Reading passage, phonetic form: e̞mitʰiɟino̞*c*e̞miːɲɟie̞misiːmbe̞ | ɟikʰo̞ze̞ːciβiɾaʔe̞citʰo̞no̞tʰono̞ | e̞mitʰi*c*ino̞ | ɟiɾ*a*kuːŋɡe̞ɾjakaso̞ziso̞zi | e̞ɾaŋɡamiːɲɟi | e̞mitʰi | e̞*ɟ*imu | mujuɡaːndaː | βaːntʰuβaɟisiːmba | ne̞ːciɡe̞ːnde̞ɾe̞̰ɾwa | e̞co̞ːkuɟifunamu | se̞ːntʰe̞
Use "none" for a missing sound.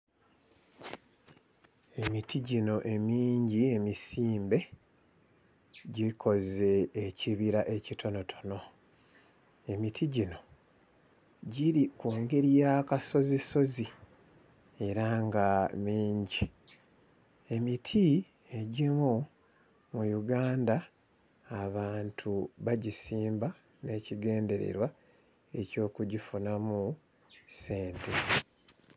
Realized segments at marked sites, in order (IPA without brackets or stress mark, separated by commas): ʔ, ɟ, i, ɟ